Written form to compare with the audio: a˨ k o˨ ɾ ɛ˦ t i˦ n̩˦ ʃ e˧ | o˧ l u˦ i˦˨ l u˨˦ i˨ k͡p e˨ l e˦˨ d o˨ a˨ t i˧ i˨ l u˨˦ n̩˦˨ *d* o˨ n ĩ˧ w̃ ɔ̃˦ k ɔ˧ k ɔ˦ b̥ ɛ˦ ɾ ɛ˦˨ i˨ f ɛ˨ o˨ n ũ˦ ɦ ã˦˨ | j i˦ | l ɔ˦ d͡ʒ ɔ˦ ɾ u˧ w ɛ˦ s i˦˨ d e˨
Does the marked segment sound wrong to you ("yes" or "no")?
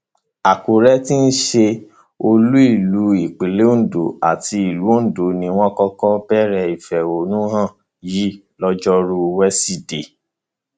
no